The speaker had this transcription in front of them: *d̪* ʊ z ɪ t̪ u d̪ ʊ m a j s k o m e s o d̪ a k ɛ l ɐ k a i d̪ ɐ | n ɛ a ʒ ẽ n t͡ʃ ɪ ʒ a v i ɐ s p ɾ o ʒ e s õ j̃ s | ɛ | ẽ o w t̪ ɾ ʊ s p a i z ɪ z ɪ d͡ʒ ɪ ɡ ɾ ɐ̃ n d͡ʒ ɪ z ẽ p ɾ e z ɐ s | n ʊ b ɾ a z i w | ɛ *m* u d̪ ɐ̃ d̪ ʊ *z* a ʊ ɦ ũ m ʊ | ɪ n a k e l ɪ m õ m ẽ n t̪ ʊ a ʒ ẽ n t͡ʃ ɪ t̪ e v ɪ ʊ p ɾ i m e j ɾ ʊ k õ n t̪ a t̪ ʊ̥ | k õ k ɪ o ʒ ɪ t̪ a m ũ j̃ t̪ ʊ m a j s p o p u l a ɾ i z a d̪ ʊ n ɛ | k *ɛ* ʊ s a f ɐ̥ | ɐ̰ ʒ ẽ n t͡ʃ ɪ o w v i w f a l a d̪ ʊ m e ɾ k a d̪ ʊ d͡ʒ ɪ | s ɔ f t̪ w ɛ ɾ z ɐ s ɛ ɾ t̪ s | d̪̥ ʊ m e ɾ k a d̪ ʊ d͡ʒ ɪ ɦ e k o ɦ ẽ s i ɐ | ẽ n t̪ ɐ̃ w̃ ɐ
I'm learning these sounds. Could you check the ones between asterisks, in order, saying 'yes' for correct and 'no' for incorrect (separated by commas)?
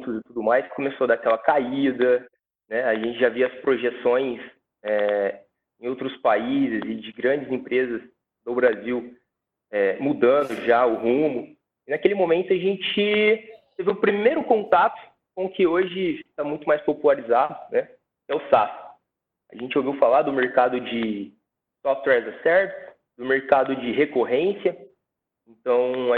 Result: no, yes, no, yes